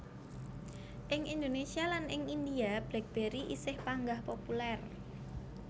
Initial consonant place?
glottal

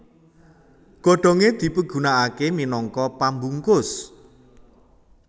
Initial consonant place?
velar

